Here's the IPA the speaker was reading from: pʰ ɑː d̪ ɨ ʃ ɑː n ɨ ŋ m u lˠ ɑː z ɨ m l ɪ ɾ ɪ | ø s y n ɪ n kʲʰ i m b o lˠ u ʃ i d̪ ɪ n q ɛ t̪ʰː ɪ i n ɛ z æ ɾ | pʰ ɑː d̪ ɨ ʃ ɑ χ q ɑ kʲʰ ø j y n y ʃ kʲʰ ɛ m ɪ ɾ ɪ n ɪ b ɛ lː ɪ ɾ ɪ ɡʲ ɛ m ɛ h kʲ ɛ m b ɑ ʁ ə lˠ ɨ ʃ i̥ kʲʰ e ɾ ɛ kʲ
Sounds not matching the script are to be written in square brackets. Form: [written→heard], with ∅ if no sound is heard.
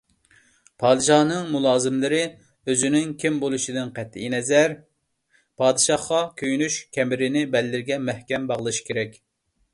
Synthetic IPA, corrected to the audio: pʰ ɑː d̪ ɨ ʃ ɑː n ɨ ŋ m u lˠ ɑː z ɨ m l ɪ ɾ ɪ | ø [s→z] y n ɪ [n→ŋ] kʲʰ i m b o lˠ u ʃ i d̪ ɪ n q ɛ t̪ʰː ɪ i n ɛ z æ ɾ | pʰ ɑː d̪ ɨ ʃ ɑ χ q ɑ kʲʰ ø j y n y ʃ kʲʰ ɛ m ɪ ɾ ɪ n ɪ b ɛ lː ɪ ɾ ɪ ɡʲ ɛ m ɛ h kʲ ɛ m b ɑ ʁ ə lˠ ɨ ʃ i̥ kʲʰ e ɾ ɛ kʲ